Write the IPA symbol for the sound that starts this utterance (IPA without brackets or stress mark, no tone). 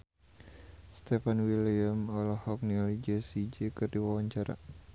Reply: s